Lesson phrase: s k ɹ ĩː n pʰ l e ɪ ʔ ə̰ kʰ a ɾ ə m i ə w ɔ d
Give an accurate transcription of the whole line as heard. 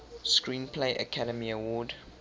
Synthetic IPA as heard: s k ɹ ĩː n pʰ l e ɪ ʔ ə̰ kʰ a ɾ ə m i ə w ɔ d